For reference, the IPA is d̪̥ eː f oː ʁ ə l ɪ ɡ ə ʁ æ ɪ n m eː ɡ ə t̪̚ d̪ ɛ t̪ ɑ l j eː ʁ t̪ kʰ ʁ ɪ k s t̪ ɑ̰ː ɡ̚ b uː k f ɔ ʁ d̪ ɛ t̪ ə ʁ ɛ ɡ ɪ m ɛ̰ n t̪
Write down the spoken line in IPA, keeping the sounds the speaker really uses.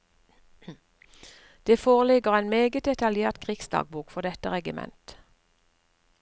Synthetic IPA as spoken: d̪̥ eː f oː ʁ ə l ɪ ɡ ə ʁ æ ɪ n m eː ɡ ə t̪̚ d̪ ɛ t̪ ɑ l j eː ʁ t̪ kʰ ʁ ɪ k s d̪ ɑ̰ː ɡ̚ b uː k f ɔ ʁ d̪ ɛ t̪ ə ʁ ɛ ɡ ɪ m ɛ̰ n t̪